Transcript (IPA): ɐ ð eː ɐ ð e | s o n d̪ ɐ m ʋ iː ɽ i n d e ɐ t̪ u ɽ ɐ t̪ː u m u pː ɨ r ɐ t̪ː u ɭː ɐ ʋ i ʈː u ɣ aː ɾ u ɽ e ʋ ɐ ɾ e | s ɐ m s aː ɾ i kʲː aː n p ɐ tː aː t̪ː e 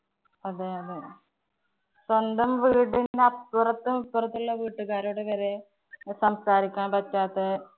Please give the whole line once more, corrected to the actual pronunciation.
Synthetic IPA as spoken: ɐ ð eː ɐ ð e | s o n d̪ ɐ m ʋ iː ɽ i n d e ɐ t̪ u r ɐ t̪ː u m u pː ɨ r ɐ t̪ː u ɭː ɐ ʋ iː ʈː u ɣ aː ɾ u ɽ e ʋ ɐ ɾ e | s ɐ m s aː ɾ i kʲː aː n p ɐ tː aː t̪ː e